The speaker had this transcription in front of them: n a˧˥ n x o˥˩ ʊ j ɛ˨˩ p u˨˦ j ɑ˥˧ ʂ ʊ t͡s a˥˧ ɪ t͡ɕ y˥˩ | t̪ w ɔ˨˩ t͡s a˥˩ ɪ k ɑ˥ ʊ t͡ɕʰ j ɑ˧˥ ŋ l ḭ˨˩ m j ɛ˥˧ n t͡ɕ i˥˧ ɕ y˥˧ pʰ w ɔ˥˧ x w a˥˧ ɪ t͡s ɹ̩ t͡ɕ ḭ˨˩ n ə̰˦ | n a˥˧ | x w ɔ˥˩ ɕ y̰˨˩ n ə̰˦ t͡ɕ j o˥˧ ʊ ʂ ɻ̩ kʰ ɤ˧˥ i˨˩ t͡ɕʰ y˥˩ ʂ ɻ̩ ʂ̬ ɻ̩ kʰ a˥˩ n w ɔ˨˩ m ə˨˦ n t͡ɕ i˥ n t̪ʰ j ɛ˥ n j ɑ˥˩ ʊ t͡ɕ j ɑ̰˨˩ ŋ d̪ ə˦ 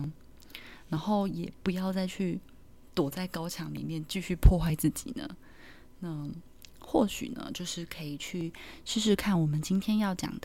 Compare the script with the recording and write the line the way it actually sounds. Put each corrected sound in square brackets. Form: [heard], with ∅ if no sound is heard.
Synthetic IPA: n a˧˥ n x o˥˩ ʊ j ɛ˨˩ p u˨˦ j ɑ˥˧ [∅] ʊ t͡s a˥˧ ɪ [t͡ɕʰ] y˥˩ | t̪ w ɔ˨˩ t͡s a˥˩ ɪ k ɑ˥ ʊ t͡ɕʰ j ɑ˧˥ ŋ l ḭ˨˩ m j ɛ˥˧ n t͡ɕ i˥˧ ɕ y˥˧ pʰ w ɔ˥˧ x w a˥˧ ɪ t͡s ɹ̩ t͡ɕ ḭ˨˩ n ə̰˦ | n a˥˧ | x w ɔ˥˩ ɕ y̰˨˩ n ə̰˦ t͡ɕ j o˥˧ ʊ ʂ ɻ̩ kʰ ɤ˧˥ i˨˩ t͡ɕʰ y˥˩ ʂ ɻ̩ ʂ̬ ɻ̩ kʰ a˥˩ n w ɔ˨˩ m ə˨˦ n t͡ɕ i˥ n t̪ʰ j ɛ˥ n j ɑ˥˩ ʊ t͡ɕ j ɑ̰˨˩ ŋ d̪ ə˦